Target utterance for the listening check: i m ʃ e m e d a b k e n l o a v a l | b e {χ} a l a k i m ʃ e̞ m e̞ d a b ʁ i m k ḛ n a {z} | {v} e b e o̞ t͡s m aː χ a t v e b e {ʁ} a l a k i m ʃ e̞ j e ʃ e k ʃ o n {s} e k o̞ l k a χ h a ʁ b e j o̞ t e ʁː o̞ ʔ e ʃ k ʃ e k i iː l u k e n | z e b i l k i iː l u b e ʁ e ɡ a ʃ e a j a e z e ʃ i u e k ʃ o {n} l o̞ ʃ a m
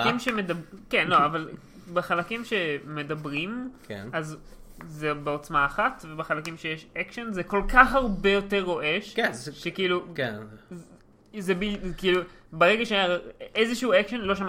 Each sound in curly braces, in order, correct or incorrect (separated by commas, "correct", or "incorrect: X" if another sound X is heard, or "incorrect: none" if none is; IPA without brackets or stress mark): correct, correct, incorrect: z, incorrect: χ, incorrect: z, correct